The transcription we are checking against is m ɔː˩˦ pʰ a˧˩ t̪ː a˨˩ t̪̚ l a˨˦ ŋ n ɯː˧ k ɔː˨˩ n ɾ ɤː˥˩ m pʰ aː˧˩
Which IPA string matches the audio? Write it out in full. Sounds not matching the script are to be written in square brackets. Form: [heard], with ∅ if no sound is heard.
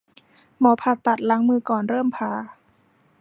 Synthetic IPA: m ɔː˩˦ pʰ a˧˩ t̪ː a˨˩ t̪̚ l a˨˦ ŋ [m] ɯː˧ k ɔː˨˩ n ɾ ɤː˥˩ m pʰ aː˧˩